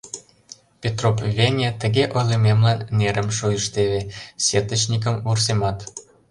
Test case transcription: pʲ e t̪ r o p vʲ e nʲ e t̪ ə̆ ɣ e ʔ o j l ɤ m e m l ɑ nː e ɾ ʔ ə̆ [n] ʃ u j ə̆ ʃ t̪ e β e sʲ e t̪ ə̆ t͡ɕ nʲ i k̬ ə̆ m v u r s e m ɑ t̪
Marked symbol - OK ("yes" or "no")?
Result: no